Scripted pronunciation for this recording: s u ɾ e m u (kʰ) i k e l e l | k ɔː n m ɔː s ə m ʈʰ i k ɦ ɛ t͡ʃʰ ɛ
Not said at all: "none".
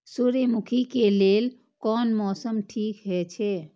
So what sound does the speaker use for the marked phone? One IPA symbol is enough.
kʰ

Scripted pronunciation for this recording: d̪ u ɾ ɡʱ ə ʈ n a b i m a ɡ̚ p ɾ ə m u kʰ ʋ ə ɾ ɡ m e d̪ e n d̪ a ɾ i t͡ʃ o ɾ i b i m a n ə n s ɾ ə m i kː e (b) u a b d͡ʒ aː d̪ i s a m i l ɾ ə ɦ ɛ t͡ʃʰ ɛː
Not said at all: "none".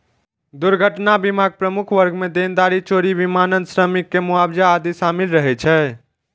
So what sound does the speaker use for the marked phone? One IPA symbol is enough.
m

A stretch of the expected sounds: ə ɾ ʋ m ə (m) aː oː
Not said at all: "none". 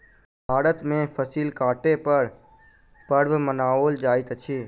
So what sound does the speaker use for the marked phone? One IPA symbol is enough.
n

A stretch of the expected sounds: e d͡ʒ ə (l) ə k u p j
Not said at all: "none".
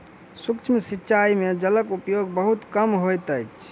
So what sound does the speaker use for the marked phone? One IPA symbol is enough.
l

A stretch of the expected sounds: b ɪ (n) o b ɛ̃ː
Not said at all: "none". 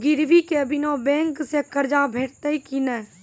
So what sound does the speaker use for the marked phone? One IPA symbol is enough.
n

